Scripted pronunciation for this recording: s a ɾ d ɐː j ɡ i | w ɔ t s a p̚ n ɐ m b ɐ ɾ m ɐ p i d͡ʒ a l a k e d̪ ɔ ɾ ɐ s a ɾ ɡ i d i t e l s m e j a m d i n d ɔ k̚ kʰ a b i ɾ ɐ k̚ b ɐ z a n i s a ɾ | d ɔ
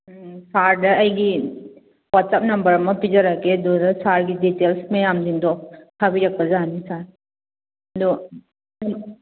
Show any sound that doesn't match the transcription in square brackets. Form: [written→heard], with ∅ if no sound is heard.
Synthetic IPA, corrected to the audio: s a ɾ d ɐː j ɡ i | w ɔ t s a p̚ n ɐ m b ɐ ɾ m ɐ p i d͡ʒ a [l→ɾ] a k e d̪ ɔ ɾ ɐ s a ɾ ɡ i d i t e l s m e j a m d i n d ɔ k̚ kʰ a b i ɾ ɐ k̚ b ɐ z a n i s a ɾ | d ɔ